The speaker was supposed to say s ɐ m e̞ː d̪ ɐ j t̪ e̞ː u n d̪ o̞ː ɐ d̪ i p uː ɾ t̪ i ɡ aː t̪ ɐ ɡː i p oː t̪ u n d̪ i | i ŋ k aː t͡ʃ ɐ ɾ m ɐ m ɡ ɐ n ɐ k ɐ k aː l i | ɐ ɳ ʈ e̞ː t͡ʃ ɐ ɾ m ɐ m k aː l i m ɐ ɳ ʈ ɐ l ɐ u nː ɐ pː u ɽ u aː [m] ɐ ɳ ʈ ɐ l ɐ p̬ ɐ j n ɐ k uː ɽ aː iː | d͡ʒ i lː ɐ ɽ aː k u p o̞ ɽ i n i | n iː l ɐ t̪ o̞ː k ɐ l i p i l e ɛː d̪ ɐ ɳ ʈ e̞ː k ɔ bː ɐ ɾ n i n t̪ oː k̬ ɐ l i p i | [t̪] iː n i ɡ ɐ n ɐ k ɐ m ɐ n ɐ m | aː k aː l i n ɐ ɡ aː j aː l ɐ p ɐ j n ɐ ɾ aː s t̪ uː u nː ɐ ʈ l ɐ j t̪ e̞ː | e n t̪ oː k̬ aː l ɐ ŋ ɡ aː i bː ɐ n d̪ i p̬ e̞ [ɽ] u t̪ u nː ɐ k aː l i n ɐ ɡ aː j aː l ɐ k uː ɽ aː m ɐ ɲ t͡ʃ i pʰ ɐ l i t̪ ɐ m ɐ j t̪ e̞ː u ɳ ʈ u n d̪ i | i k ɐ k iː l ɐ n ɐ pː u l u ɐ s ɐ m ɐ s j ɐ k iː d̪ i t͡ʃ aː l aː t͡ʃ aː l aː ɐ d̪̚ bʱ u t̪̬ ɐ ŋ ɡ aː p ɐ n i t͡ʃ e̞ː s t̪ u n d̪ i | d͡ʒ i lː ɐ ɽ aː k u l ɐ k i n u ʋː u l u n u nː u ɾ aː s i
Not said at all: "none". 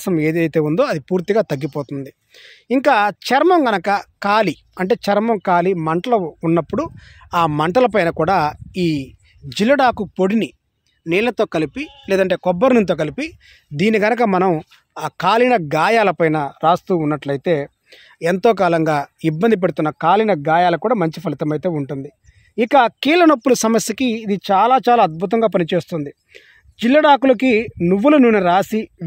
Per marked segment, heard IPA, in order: m, d̪, ɽ

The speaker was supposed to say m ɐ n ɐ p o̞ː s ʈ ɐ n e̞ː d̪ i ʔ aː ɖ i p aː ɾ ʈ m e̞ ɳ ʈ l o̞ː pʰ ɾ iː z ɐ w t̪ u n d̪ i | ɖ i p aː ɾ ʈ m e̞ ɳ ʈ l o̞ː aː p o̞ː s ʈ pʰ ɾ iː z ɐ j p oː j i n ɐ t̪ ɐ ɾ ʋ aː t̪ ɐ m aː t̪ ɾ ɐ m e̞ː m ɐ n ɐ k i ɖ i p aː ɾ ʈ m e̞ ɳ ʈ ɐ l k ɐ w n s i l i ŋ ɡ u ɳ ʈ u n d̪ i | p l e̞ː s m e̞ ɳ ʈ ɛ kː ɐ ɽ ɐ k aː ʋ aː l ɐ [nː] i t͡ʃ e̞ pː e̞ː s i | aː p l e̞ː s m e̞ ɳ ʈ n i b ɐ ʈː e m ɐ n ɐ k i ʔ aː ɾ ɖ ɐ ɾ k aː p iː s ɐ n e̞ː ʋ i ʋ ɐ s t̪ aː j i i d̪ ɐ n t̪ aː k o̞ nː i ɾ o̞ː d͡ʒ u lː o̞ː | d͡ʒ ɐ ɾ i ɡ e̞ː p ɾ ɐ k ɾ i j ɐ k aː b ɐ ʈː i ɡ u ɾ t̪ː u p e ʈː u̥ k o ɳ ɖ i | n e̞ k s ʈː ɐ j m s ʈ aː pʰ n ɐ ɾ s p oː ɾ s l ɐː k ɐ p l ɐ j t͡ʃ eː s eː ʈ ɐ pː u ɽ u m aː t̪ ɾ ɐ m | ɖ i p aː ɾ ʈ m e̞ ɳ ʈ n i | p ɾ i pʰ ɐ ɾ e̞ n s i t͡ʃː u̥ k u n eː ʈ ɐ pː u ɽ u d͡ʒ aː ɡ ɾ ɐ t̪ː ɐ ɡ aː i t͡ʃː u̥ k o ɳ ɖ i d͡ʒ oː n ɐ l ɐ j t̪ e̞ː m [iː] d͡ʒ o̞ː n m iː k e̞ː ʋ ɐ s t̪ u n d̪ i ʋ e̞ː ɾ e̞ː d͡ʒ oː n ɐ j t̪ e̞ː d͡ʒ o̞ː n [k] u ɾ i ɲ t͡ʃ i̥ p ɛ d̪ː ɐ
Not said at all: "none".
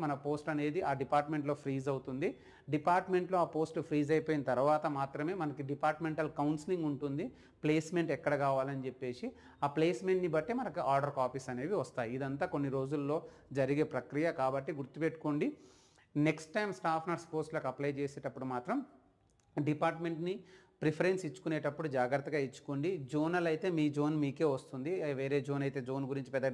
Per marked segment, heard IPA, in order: n, iː, ɡ

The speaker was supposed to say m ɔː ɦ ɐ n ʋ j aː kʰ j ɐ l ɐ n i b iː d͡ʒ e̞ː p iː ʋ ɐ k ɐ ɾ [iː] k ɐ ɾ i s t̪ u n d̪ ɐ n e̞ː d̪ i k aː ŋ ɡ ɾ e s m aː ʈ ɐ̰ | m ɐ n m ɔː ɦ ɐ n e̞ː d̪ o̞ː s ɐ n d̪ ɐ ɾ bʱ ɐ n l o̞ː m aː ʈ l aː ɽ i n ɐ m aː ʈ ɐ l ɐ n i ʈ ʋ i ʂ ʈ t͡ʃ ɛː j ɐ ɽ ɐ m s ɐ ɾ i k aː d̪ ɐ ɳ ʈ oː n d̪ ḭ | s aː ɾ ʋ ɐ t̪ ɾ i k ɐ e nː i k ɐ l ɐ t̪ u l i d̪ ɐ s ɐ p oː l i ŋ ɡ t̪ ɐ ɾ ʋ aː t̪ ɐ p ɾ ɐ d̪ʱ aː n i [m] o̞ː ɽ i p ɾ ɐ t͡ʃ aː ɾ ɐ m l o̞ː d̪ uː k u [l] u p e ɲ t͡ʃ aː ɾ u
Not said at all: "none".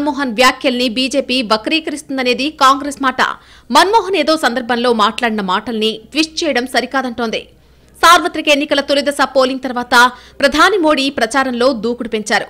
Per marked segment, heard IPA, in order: iː, m, ɽ

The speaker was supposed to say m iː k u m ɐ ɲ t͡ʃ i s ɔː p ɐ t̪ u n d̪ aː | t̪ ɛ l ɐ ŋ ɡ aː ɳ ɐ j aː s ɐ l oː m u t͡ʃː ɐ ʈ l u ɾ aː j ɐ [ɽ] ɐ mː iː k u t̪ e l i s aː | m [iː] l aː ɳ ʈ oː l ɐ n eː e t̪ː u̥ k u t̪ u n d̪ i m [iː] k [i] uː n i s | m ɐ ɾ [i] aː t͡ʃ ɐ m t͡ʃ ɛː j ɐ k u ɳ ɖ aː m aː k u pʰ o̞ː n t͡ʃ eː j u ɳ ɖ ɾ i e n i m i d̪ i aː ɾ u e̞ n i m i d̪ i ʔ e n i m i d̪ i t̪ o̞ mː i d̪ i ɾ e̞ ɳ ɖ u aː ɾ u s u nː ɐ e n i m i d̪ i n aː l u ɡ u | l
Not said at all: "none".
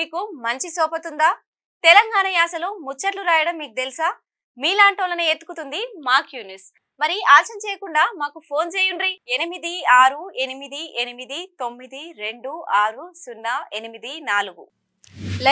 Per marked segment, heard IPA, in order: ɽ, iː, aː, j, i

